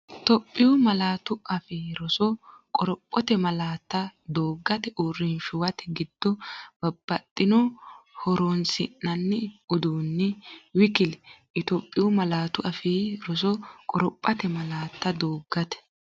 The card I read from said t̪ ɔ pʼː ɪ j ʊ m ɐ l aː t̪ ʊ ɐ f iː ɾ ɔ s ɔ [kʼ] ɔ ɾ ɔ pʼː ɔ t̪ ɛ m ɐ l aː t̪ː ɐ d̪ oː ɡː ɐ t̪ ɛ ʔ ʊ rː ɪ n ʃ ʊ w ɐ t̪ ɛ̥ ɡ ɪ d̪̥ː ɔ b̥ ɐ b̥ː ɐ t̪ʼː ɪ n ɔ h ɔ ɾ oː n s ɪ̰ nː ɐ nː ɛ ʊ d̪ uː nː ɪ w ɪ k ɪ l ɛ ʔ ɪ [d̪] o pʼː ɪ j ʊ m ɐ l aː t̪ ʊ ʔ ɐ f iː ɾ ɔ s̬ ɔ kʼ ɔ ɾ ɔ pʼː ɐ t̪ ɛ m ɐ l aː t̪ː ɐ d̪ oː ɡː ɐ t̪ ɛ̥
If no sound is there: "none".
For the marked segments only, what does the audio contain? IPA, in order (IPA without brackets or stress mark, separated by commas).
kʼ, t̪